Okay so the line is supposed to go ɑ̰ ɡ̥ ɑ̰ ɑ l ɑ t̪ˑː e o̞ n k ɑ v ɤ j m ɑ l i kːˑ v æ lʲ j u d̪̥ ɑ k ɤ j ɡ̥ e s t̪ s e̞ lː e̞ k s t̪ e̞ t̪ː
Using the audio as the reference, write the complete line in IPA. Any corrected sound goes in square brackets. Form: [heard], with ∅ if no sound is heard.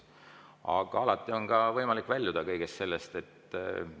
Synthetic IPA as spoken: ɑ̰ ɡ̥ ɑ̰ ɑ l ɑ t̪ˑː [i] o̞ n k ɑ v ɤ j m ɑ l i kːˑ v æ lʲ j u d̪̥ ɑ k ɤ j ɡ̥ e s t̪ s e̞ lː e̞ [∅] s t̪ e̞ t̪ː